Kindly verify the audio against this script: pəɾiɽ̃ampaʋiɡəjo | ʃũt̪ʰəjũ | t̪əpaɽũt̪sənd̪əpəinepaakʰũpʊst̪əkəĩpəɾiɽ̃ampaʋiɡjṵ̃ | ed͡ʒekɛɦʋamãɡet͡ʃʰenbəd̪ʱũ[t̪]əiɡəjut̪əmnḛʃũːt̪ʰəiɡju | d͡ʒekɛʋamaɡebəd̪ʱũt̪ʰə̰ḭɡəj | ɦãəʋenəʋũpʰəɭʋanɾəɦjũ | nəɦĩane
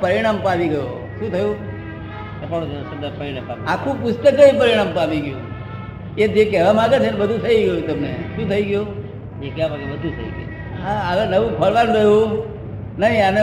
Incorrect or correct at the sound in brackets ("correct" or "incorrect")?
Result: incorrect